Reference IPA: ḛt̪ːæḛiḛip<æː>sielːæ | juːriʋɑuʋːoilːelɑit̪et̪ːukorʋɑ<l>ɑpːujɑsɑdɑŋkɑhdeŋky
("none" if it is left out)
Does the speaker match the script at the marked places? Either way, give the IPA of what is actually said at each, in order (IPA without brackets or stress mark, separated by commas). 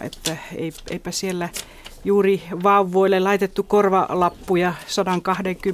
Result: æ, l